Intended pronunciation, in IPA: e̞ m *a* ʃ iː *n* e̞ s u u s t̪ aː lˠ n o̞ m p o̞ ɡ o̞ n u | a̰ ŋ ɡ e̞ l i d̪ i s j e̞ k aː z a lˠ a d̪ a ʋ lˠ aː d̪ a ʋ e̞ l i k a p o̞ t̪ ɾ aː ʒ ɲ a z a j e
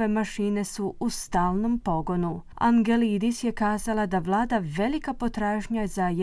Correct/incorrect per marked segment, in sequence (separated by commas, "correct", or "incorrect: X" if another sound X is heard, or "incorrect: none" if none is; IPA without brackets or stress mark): correct, correct